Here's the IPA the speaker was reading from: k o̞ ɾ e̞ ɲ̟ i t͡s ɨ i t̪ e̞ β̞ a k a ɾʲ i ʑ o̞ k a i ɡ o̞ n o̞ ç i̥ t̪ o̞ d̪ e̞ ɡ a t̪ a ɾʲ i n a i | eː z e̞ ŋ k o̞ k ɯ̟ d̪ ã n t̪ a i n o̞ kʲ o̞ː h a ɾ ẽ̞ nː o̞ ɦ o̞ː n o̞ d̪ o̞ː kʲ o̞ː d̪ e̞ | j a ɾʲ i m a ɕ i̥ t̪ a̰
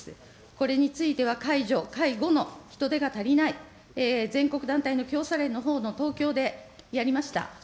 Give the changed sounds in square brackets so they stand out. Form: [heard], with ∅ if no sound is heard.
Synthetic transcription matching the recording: k o̞ ɾ e̞ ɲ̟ i t͡s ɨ i t̪ e̞ β̞ a k a [∅] i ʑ o̞ k a i ɡ o̞ n o̞ ç i̥ t̪ o̞ d̪ e̞ ɡ a t̪ a ɾʲ i n a i | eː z [ẽ̞] ŋ k o̞ k ɯ̟ d̪ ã n t̪ a i n o̞ kʲ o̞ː [s] a ɾ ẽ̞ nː o̞ ɦ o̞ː n o̞ [t̪] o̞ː kʲ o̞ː d̪ e̞ | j a ɾʲ i m a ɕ i̥ t̪ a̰